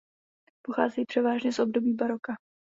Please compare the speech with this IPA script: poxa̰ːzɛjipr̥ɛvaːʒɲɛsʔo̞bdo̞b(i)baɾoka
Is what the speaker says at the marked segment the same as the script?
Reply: no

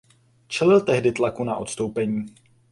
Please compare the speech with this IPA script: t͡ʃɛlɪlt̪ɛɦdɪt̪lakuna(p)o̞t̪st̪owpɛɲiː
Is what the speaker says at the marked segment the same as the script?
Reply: no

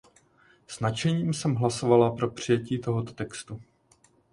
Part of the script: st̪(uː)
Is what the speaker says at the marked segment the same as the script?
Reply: no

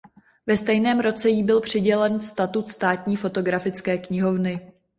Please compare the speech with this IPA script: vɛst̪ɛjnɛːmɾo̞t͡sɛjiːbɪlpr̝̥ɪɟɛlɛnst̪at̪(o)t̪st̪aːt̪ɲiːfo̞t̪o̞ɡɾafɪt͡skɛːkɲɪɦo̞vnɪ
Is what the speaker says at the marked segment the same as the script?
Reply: no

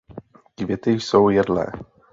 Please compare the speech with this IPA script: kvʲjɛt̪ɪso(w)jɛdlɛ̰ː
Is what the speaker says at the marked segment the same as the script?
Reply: yes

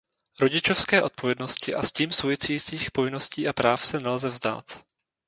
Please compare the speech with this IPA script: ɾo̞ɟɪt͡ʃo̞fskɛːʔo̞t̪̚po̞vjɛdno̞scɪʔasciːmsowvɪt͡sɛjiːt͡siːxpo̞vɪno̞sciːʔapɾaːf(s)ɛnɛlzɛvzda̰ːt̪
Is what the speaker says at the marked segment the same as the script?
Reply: yes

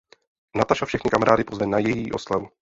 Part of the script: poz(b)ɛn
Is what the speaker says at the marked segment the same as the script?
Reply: no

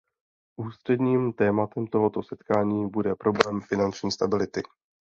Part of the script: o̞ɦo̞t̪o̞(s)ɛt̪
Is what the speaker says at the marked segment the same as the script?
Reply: yes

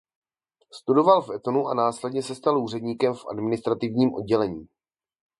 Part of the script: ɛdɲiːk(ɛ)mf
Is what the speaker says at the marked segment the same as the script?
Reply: yes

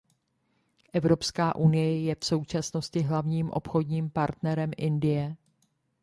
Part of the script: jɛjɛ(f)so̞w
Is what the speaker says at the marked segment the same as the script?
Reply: yes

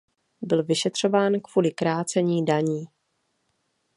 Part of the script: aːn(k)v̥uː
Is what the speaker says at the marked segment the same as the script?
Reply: yes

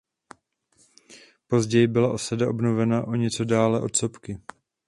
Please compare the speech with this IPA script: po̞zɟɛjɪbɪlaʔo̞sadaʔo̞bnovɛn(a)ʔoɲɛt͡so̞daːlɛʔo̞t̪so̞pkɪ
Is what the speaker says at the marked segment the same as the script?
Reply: yes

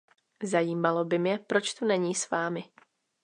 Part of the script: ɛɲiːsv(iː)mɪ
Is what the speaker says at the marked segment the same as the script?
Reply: no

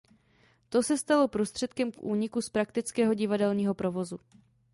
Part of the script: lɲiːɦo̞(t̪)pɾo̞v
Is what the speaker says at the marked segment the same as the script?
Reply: no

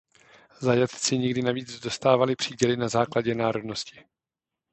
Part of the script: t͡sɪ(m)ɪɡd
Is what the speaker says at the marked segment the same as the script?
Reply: no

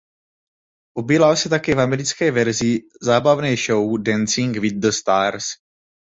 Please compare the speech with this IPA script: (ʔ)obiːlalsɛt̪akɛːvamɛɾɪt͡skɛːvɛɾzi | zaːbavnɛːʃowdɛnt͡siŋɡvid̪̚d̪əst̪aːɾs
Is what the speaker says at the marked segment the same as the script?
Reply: yes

